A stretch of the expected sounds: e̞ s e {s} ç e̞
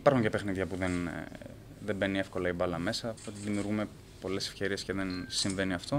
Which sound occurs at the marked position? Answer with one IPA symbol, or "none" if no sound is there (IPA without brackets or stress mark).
f